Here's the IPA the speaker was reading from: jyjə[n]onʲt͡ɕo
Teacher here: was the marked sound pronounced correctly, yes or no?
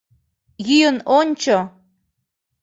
yes